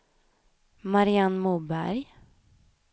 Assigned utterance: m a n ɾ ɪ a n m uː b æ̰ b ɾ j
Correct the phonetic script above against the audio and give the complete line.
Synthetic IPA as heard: m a ɾ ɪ a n m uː b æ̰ ɾ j